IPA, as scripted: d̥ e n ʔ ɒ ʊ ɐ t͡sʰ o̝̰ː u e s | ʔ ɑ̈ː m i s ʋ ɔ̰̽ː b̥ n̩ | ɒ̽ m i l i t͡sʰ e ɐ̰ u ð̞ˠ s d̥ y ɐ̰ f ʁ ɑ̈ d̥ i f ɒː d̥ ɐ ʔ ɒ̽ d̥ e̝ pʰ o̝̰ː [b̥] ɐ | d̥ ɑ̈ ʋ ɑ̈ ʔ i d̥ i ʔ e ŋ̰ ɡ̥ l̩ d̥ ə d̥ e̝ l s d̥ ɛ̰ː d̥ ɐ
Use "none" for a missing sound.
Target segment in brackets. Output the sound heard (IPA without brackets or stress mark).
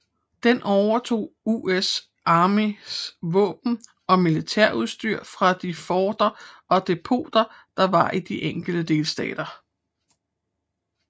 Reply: d̥